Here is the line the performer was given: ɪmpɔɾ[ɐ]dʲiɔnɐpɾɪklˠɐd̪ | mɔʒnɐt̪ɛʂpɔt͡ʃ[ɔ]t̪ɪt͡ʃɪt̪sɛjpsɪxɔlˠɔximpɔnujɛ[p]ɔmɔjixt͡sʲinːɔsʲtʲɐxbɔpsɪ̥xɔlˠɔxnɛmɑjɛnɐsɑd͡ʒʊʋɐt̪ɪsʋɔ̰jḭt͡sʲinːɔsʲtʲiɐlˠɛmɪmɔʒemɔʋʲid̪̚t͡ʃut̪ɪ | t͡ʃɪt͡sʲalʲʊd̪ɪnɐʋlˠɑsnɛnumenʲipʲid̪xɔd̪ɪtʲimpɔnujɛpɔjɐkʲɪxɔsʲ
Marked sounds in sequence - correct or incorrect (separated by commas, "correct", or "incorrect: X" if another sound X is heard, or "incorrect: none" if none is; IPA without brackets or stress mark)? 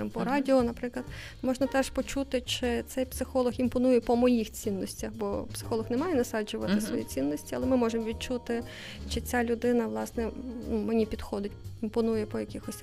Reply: incorrect: ɑ, incorrect: u, correct